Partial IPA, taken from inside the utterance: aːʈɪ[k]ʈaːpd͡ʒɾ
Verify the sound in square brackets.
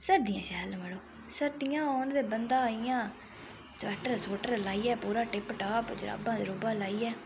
incorrect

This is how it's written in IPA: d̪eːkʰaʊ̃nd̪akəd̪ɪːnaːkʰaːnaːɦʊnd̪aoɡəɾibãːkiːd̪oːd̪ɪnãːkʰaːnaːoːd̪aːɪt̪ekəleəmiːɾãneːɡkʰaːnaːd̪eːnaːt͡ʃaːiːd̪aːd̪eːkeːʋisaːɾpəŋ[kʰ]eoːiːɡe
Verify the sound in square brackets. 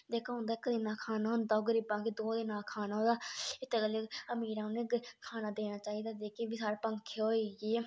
correct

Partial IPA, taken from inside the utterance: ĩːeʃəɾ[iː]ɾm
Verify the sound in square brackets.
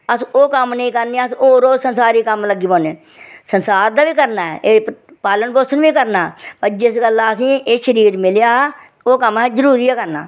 correct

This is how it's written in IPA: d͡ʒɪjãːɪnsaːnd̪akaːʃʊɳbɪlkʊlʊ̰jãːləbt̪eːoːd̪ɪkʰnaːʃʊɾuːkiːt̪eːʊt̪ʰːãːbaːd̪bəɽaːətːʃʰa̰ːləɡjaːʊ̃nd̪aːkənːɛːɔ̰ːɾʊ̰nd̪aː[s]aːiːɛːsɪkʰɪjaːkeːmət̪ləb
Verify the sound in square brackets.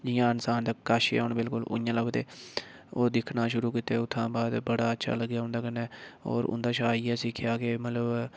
incorrect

